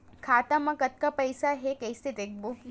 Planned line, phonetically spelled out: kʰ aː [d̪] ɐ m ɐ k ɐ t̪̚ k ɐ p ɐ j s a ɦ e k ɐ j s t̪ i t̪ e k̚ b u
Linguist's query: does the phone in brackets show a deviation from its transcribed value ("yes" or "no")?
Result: yes